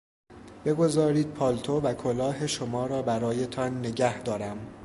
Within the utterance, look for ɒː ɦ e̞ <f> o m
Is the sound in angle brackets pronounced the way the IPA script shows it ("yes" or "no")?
no